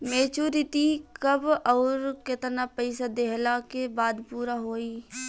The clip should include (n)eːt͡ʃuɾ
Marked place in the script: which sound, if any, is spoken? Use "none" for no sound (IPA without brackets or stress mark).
m